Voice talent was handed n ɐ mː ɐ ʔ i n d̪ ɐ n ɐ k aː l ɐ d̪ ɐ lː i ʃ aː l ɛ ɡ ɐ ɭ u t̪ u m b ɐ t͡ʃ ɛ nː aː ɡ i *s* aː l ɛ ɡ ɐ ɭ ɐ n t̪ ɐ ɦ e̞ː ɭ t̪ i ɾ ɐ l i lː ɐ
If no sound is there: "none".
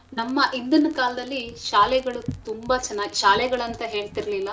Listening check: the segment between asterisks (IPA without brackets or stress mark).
ʃ